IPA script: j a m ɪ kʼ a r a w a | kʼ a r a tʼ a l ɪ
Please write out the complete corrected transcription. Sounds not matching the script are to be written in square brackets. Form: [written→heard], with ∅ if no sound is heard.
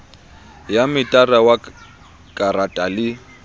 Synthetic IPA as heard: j a m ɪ [kʼ→tʼ] a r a w a | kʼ a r a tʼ a l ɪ